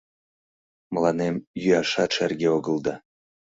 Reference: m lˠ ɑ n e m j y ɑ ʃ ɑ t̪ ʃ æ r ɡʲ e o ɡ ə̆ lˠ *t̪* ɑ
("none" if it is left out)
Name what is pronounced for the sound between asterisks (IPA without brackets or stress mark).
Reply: d̪